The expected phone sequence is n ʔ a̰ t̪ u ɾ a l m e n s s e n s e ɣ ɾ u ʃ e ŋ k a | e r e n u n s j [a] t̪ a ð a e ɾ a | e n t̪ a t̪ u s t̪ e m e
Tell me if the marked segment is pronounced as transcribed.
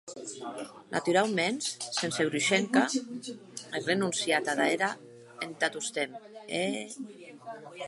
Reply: yes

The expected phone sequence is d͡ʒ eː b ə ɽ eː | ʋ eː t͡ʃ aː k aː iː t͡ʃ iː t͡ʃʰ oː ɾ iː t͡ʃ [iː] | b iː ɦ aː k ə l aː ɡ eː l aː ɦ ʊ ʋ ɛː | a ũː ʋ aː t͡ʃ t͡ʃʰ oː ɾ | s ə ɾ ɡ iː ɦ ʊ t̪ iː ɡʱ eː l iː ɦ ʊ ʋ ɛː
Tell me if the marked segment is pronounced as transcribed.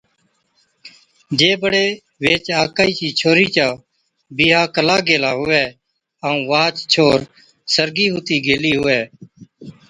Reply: no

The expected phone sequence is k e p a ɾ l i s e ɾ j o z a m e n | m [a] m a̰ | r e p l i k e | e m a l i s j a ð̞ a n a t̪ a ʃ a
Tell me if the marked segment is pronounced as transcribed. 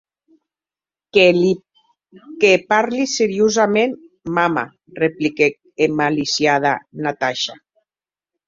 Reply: yes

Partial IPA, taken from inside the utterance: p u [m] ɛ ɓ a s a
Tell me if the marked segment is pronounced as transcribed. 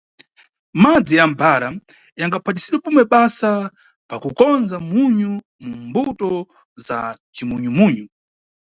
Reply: yes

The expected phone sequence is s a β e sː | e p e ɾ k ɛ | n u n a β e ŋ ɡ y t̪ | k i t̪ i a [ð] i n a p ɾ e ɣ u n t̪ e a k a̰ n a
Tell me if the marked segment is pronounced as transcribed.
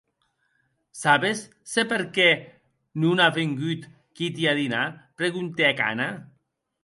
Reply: yes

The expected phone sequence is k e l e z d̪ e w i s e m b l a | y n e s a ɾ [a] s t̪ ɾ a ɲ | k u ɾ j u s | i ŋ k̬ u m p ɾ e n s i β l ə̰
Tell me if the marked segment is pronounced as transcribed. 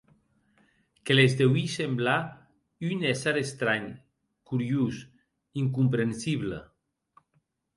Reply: no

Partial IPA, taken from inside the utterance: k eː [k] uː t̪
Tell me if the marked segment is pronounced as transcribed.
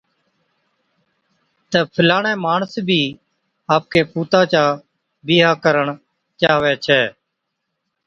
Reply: no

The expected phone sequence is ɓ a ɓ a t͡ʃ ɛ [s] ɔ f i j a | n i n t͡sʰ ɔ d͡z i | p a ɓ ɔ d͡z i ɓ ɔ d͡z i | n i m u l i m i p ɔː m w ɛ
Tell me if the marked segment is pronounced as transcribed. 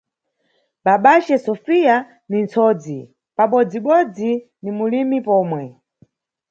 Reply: yes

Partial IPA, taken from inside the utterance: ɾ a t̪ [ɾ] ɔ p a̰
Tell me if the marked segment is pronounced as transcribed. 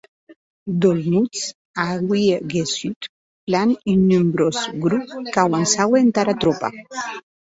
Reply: yes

